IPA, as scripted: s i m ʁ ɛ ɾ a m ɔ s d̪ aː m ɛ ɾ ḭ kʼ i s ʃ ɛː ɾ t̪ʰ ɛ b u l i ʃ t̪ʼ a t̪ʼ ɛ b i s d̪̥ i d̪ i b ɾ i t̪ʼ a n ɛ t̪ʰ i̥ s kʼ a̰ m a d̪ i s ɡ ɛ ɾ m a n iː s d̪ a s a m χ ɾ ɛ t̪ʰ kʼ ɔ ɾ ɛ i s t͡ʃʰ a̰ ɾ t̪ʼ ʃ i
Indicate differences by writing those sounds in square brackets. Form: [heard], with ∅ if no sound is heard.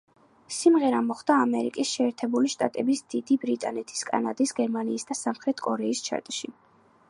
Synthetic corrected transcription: s i m ʁ ɛ ɾ a m ɔ [χ] d̪ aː m ɛ ɾ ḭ kʼ i s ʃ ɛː ɾ t̪ʰ ɛ b u l i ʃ t̪ʼ a t̪ʼ ɛ b i s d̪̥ i d̪ i b ɾ i t̪ʼ a n ɛ t̪ʰ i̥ s kʼ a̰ [n] a d̪ i s ɡ ɛ ɾ m a n iː s d̪ a s a m χ ɾ ɛ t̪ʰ kʼ ɔ ɾ ɛ i s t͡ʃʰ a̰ ɾ t̪ʼ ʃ i

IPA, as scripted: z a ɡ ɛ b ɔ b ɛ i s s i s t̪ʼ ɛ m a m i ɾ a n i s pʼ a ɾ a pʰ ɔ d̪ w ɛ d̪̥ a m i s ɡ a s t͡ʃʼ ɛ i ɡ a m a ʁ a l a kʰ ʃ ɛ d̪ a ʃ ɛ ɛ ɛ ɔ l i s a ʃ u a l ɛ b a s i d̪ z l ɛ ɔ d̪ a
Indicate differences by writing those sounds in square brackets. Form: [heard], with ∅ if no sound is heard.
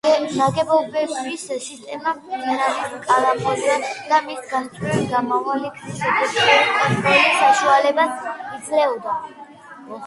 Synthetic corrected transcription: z a ɡ ɛ b ɔ b ɛ i s s i s t̪ʼ ɛ m a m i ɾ a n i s [kʼ] a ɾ a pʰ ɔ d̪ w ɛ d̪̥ a m i s ɡ a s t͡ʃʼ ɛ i ɡ a m a [v] a l [i] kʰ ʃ ɛ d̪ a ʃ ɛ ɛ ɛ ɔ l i s a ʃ u a l ɛ b a s i d̪ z l ɛ ɔ d̪ a

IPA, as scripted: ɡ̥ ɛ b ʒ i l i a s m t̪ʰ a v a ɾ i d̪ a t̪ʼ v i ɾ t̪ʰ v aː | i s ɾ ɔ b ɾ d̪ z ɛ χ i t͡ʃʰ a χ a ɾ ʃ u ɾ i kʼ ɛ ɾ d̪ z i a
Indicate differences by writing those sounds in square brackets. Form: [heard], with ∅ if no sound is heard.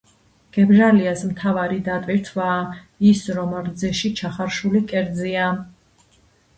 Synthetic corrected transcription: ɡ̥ ɛ b ʒ [a] l i a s m t̪ʰ a v a ɾ i d̪ a t̪ʼ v i ɾ t̪ʰ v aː | i s ɾ ɔ [m] ɾ d̪ z ɛ [ʃ] i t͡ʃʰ a χ a ɾ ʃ u [l] i kʼ ɛ ɾ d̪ z i a

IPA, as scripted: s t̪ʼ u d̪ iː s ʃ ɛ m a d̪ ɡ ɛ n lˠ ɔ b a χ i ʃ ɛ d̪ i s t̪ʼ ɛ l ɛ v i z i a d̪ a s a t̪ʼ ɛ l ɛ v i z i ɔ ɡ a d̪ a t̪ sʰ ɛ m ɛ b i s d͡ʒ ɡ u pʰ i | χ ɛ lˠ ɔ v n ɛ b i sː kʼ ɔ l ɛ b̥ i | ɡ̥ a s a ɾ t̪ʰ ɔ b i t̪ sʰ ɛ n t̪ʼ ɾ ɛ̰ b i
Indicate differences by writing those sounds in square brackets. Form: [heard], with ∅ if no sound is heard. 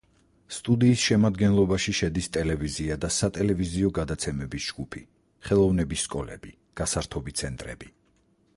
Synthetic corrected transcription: s t̪ʼ u d̪ iː s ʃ ɛ m a d̪ ɡ ɛ n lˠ ɔ b a [ʃ] i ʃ ɛ d̪ i s t̪ʼ ɛ l ɛ v i z i a d̪ a s a t̪ʼ ɛ l ɛ v i z i ɔ ɡ a d̪ a t̪ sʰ ɛ m ɛ b i s d͡ʒ ɡ u pʰ i | χ ɛ lˠ ɔ v n ɛ b i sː kʼ ɔ l ɛ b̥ i | ɡ̥ a s a ɾ t̪ʰ ɔ b i t̪ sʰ ɛ n t̪ʼ ɾ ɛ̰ b i

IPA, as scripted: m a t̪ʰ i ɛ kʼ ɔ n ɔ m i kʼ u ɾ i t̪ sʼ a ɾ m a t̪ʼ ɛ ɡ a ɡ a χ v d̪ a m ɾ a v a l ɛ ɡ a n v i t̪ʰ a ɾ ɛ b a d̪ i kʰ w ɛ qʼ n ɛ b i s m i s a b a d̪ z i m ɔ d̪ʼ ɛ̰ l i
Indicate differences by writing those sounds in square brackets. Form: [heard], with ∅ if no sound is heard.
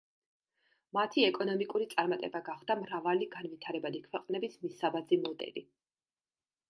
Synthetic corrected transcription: m a t̪ʰ i ɛ kʼ ɔ n ɔ m i kʼ u ɾ i t̪ sʼ a ɾ m a t̪ʼ ɛ [b] a ɡ a χ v d̪ a m ɾ a v a l [i] ɡ a n v i t̪ʰ a ɾ ɛ b a d̪ i kʰ w ɛ qʼ n ɛ b i s m i s a b a d̪ z i m ɔ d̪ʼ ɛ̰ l i

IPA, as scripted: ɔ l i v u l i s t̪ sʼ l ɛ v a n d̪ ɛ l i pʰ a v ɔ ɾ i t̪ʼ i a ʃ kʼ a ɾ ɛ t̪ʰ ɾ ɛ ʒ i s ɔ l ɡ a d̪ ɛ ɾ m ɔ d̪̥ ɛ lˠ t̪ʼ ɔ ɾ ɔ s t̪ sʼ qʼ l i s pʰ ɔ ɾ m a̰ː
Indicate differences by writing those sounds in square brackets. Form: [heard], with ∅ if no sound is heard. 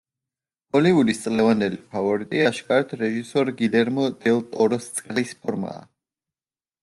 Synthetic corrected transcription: ɔ l i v u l i s t̪ sʼ l ɛ v a n d̪ ɛ l i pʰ a v ɔ ɾ i t̪ʼ i a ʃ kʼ a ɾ ɛ t̪ʰ ɾ ɛ ʒ i s ɔ [ɾ] ɡ [i] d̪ ɛ ɾ m ɔ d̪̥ ɛ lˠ t̪ʼ ɔ ɾ ɔ s t̪ sʼ qʼ l i s pʰ ɔ ɾ m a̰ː

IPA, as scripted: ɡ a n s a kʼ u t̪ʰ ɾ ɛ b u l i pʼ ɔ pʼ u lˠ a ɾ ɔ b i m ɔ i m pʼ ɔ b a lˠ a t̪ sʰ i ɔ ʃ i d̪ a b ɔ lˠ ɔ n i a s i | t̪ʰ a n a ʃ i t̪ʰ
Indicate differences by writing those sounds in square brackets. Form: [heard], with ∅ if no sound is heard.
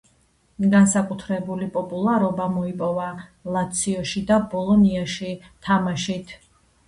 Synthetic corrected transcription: ɡ a n s a kʼ u t̪ʰ ɾ ɛ b u l i pʼ ɔ pʼ u lˠ a ɾ ɔ b [a] m ɔ i [∅] pʼ ɔ [v] a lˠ a t̪ sʰ i ɔ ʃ i d̪ a b ɔ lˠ ɔ n i a [ʃ] i | t̪ʰ a [m] a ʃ i t̪ʰ

